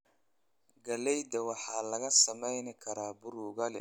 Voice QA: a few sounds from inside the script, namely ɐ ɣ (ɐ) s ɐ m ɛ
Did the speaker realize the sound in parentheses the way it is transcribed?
yes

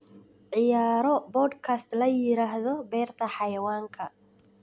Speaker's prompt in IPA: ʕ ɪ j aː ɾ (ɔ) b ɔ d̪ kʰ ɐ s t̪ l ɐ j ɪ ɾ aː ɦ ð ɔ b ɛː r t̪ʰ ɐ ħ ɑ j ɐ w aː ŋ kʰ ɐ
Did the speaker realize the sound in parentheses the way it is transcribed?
yes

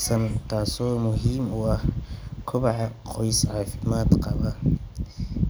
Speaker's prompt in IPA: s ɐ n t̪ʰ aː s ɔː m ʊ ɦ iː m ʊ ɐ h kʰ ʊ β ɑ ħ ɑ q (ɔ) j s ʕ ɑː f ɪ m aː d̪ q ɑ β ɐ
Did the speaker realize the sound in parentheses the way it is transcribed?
yes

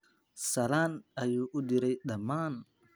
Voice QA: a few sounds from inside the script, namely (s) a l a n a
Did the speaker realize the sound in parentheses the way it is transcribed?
yes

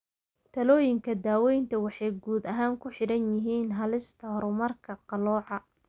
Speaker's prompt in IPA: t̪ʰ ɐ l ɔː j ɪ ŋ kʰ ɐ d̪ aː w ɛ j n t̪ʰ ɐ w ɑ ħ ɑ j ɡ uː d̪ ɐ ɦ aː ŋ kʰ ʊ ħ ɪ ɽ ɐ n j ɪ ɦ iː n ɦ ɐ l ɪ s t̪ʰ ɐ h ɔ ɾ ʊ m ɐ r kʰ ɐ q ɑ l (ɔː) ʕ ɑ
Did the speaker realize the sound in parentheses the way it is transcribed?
yes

